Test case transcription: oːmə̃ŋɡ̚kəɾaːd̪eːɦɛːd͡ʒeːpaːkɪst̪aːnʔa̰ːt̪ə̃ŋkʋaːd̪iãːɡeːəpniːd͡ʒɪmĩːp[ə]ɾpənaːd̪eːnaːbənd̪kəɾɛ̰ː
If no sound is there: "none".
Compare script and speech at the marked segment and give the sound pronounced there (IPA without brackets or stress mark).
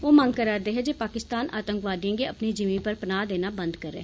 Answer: ə